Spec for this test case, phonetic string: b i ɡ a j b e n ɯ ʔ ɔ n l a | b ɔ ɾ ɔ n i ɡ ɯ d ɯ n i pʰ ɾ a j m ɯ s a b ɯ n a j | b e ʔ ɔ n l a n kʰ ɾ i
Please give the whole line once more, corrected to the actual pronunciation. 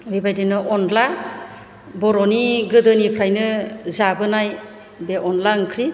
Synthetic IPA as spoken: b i b a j d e n ɯ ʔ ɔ n l a | b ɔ ɾ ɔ n i ɡ ɯ d ɯ n i pʰ ɾ a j n ɯ z a b ɯ n a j | b e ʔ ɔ n l a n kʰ ɾ i